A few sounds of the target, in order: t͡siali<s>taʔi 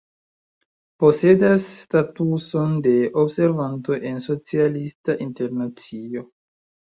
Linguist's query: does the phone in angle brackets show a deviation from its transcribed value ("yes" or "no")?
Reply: no